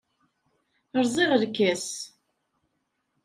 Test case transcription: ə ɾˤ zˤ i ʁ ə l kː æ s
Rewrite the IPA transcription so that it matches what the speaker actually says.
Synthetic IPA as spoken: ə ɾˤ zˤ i ʁ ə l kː æ s